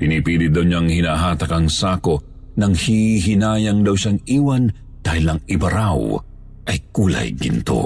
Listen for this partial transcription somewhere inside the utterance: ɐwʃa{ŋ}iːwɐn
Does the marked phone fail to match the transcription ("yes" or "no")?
no